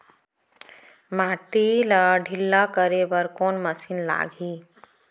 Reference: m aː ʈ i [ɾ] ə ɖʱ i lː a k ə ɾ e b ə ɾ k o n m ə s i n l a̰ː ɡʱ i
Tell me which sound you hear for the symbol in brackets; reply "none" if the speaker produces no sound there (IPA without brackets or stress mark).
l